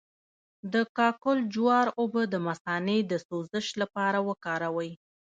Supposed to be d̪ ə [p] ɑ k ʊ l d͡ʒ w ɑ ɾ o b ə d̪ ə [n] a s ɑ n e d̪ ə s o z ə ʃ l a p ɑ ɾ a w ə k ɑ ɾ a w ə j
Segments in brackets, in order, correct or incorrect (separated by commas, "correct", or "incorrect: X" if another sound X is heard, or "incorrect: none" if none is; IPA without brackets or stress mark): incorrect: k, incorrect: m